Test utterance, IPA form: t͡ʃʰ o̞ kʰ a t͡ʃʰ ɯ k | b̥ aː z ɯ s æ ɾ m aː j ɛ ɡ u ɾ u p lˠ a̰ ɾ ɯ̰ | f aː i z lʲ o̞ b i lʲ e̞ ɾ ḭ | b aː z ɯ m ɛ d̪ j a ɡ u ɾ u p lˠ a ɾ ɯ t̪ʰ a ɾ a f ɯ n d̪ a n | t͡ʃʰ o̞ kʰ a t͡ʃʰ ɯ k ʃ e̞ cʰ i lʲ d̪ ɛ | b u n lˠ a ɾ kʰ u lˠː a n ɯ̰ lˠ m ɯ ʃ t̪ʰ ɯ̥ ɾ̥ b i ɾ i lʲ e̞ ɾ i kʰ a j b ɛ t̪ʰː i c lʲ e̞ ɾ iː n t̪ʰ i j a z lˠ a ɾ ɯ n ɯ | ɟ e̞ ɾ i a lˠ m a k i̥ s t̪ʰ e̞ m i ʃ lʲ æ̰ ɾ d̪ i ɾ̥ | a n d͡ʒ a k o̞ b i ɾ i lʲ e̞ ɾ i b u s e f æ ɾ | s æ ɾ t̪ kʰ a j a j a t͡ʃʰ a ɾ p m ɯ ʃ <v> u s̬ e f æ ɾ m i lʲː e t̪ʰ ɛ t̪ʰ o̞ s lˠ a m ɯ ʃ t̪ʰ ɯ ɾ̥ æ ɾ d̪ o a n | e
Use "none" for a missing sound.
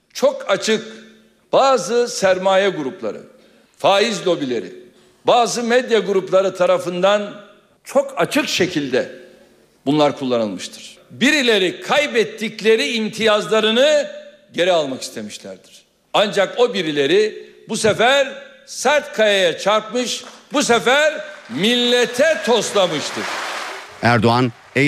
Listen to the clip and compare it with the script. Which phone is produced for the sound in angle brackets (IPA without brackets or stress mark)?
b